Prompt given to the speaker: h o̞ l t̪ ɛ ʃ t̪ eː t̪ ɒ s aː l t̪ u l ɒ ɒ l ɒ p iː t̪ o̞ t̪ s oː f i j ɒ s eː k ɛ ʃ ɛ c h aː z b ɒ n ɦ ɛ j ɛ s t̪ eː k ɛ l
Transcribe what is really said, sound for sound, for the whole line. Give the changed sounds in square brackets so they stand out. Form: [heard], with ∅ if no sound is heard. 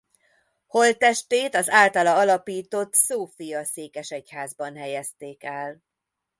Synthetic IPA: h o̞ l t̪ ɛ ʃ t̪ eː t̪ ɒ [z] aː l t̪ [ɒ] l ɒ ɒ l ɒ p iː t̪ o̞ t̪ s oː f i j ɒ s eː k ɛ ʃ ɛ c h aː z b ɒ n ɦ ɛ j ɛ s t̪ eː k ɛ l